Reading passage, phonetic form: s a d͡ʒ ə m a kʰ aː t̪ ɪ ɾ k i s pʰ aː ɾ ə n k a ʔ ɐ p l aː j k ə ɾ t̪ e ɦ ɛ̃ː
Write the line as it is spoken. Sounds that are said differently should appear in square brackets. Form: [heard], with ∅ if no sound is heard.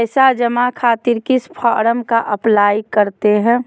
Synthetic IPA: s a d͡ʒ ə m a kʰ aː t̪ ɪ ɾ k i s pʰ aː ɾ ə [m] k a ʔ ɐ p l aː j k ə ɾ t̪ e ɦ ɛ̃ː